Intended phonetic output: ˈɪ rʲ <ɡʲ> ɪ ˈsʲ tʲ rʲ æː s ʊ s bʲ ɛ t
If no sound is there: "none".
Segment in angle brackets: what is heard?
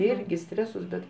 ɡʲ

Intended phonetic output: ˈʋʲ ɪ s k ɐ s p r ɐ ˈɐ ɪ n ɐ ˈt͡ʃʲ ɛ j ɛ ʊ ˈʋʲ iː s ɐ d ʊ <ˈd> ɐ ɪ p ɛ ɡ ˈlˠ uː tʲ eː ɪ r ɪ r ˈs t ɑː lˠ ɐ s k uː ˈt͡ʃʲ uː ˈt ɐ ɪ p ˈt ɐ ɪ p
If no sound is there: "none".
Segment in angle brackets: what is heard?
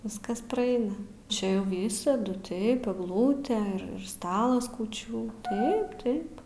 t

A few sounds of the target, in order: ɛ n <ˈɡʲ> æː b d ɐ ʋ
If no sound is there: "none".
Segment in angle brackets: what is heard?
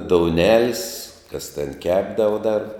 kʲ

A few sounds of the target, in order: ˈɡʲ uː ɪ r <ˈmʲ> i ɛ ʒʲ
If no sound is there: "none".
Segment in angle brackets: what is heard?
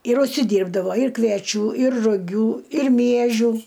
mʲ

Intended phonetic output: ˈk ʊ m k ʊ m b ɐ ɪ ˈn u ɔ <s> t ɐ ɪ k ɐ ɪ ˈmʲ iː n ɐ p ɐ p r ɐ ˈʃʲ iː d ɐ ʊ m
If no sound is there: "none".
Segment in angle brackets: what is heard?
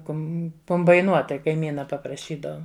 t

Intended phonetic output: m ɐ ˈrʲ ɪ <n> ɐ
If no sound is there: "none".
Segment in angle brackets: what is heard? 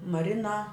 n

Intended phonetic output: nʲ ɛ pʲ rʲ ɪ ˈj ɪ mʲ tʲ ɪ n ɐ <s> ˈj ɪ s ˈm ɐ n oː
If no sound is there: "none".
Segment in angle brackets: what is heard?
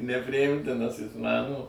s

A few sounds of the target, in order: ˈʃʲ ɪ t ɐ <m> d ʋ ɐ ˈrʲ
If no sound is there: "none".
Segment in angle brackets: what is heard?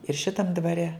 m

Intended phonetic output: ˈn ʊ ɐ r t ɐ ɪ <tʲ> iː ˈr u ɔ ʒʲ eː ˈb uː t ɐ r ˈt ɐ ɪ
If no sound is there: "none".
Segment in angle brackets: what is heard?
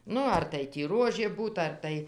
tʲ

